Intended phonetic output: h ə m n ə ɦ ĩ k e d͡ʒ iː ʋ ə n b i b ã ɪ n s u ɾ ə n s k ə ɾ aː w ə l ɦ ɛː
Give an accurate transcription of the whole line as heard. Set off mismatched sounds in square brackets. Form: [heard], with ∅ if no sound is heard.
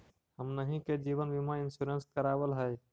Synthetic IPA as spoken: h ə m n ə ɦ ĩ k e d͡ʒ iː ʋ ə n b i [m] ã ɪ n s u ɾ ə n s k ə ɾ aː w ə l ɦ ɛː